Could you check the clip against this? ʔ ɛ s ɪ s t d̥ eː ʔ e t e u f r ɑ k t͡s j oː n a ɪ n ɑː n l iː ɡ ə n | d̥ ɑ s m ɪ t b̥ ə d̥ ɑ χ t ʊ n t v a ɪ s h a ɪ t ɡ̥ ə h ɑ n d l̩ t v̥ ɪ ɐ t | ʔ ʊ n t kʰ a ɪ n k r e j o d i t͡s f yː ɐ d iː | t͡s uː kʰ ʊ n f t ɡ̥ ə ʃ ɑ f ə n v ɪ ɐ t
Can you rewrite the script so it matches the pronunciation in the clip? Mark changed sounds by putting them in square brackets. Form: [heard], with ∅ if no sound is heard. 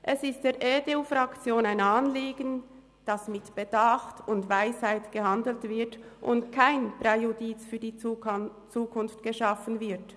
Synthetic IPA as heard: ʔ ɛ s ɪ s t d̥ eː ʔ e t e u f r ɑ k t͡s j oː n a ɪ n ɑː n l iː ɡ ə n | d̥ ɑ s m ɪ t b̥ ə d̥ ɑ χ t ʊ n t v a ɪ s h a ɪ t ɡ̥ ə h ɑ n d l̩ t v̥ ɪ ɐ t | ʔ ʊ n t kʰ a ɪ n [p] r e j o d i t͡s f yː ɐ d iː | t͡s uː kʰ ʊ n f t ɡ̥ ə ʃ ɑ f ə n v ɪ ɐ t

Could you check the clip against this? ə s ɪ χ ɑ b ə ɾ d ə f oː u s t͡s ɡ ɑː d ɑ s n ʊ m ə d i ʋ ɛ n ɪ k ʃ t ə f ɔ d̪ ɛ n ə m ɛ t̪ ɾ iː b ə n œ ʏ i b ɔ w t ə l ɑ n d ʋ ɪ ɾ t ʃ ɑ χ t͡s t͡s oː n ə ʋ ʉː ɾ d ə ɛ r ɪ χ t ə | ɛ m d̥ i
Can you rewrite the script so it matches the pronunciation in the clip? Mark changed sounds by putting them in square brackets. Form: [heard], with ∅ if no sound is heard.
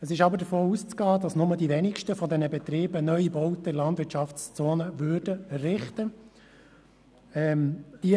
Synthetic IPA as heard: ə s ɪ [ʃ] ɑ b ə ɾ d ə f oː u s t͡s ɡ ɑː d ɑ s n ʊ m ə d i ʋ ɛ n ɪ k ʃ t ə f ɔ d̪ ɛ n ə [b] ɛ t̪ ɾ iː b ə n œ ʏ i b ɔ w t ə l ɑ n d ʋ ɪ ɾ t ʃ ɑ [f] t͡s t͡s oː n ə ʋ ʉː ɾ d ə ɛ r ɪ χ t ə | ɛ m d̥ i

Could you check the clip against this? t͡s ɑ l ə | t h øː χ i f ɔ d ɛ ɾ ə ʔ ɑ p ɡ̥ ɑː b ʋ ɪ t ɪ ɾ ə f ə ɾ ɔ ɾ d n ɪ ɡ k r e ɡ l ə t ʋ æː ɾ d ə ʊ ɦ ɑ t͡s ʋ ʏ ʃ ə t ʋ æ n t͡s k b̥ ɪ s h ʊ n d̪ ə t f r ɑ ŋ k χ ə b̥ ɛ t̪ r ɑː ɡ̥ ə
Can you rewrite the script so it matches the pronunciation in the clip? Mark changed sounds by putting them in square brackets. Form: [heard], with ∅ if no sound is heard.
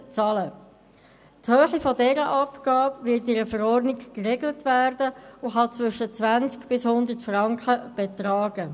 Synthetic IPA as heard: t͡s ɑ l ə | t h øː χ i f ɔ d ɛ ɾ ə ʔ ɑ p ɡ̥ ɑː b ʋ ɪ t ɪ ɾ ə f ə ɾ ɔ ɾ d n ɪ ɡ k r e ɡ l ə t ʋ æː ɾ d ə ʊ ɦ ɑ t͡s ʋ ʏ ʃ ə [t͡s] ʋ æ n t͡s k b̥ ɪ s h ʊ n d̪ ə t f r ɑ ŋ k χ ə b̥ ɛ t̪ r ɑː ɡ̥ ə

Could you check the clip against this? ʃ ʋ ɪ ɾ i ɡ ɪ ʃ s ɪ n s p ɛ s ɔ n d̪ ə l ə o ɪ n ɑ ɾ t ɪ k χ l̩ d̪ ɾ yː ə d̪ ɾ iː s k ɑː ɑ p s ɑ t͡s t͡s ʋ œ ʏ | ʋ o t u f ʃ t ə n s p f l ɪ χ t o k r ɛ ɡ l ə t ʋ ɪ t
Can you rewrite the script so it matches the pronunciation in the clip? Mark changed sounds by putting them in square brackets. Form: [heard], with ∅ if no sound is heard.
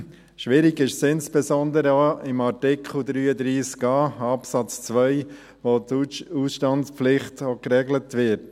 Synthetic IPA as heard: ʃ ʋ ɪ ɾ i ɡ ɪ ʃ s ɪ n s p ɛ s ɔ n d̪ ə [ɾ] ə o ɪ [m] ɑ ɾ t ɪ k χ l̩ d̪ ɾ yː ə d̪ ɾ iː s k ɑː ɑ p s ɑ t͡s t͡s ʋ œ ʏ | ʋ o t u [s] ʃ t [ɑ] n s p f l ɪ χ t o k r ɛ ɡ l ə t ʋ ɪ t

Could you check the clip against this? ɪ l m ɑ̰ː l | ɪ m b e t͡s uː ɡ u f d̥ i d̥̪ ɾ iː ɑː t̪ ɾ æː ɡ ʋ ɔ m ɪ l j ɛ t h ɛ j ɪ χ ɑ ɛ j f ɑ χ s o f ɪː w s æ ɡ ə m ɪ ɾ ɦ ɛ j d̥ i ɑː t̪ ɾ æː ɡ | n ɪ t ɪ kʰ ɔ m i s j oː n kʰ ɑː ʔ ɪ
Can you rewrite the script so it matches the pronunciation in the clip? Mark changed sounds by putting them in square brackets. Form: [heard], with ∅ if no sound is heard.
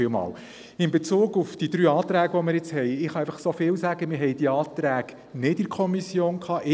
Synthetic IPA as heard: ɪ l m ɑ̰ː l | ɪ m b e t͡s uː ɡ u f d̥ i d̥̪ ɾ [yː] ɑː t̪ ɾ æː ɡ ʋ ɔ m ɪ [ɾ] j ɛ [t͡s] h ɛ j ɪ χ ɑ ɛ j f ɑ χ s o f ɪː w s æ ɡ ə m ɪ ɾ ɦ ɛ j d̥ i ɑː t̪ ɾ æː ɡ | n ɪ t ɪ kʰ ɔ m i s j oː n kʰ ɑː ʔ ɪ

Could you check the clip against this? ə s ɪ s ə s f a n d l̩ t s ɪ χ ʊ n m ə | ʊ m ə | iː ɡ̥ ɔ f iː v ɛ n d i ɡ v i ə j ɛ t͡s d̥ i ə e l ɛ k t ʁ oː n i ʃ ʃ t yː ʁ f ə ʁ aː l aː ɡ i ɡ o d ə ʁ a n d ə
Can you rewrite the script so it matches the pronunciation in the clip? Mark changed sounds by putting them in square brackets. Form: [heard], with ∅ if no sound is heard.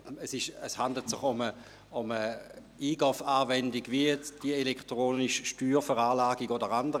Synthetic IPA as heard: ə s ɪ [ʃ] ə s [h] a n d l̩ t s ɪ χ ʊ [∅] m ə | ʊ m ə | iː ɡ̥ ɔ f [aː] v ɛ n d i ɡ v i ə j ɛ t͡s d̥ i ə e l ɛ k t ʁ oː n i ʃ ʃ t yː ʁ f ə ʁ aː l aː ɡ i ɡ o d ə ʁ a n d ə

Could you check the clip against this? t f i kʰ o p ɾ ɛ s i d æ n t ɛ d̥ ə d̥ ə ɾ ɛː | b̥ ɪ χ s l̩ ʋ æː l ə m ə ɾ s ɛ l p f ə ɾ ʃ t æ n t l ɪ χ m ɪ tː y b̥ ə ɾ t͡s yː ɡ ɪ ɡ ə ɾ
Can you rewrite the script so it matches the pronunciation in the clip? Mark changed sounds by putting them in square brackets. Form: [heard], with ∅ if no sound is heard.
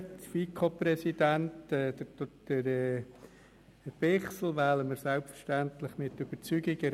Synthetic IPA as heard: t f i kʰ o p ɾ ɛ s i d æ n t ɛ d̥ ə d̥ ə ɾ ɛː | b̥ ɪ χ s l̩ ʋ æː l ə m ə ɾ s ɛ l p f ə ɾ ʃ t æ n t l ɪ χ m ɪ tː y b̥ ə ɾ t͡s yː ɡ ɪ ɡ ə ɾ

